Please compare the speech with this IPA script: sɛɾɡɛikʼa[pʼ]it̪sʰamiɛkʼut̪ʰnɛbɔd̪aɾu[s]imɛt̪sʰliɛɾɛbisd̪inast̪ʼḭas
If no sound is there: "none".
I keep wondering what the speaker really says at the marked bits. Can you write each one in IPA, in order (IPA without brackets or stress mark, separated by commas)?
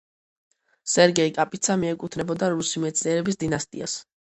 pʼ, s